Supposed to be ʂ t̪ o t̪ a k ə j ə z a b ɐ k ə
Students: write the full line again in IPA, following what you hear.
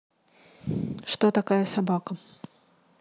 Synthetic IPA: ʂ t̪ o t̪ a k a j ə s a b a k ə